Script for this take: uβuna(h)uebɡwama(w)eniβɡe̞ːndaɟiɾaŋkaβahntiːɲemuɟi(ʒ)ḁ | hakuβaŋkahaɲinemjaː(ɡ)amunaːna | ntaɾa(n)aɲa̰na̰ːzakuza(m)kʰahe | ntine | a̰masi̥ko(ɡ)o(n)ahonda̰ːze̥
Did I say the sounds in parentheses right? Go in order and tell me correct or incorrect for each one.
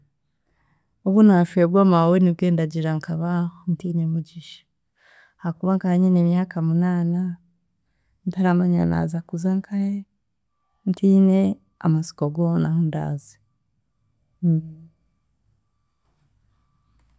incorrect: ʃ, correct, incorrect: ʃ, incorrect: k, incorrect: m, incorrect: ŋ, correct, correct

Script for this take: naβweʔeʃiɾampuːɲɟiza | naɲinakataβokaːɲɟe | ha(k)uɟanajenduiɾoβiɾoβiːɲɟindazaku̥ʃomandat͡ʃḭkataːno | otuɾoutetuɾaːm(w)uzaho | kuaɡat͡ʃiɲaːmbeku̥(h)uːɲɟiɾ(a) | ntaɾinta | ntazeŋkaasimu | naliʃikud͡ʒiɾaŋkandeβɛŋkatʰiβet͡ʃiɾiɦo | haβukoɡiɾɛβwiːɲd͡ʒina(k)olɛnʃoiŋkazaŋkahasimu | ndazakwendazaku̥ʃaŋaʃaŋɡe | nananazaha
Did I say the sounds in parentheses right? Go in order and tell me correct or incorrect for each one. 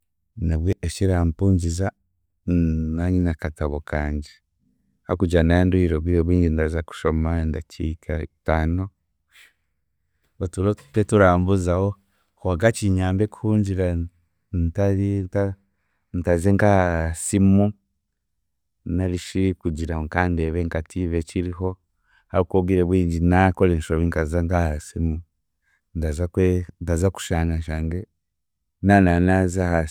correct, incorrect: b, correct, correct, correct

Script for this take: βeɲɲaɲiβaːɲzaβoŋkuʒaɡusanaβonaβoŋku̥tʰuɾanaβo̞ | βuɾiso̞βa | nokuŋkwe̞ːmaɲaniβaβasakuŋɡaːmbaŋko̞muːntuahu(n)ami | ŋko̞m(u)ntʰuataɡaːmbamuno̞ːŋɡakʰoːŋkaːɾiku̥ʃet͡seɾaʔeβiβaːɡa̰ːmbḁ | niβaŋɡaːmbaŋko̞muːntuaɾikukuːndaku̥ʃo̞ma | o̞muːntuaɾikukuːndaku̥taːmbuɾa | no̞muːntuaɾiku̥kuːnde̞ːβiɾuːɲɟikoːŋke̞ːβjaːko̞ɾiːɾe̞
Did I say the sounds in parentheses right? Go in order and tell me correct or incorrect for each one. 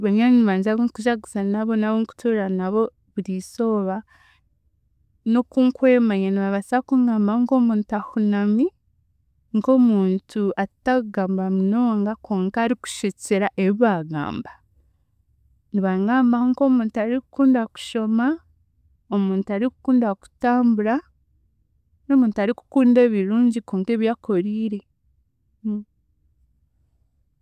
correct, incorrect: uː

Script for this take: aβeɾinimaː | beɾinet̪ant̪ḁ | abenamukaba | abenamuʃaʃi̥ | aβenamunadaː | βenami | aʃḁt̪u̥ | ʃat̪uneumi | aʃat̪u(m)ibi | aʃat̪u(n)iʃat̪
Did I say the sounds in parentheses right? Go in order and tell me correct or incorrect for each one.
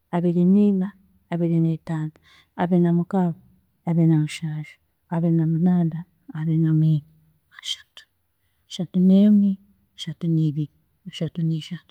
incorrect: n, correct

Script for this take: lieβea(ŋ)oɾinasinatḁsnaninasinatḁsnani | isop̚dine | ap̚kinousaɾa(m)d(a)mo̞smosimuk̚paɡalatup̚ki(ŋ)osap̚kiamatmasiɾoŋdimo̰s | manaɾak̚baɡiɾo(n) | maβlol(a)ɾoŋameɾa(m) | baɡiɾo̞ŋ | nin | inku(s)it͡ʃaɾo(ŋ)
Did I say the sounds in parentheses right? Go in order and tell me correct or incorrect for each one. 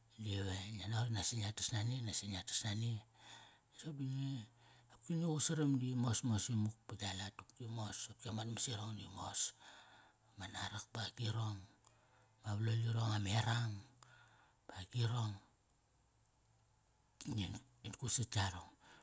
incorrect: n, correct, incorrect: i, incorrect: m, incorrect: ŋ, incorrect: i, incorrect: ŋ, correct, correct

